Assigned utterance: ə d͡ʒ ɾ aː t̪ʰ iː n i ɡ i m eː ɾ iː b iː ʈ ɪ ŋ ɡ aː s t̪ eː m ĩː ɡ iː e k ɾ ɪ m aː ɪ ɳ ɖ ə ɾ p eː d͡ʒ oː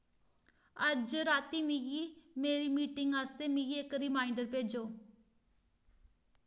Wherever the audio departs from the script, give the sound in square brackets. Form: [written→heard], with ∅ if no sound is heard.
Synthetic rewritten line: ə d͡ʒ ɾ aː [t̪ʰ→t̪] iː [n→m] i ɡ i m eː ɾ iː [b→m] iː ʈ ɪ ŋ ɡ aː s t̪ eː m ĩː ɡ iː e k ɾ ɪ m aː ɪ ɳ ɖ ə ɾ p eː d͡ʒ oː